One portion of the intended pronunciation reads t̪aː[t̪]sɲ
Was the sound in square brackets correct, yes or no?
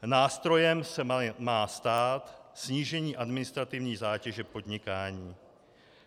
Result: yes